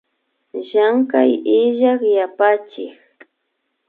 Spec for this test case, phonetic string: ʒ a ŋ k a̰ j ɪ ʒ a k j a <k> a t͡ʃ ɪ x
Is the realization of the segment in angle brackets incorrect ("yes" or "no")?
yes